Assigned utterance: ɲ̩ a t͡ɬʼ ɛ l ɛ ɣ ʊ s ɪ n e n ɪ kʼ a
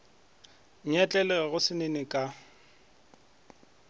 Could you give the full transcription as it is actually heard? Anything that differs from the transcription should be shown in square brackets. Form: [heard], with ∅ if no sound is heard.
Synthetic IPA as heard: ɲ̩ [ɛ] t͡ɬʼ ɛ l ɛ ɣ ʊ s ɪ n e n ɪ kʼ a